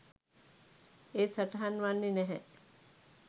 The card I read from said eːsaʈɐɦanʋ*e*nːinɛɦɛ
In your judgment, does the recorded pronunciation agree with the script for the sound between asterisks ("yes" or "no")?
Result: no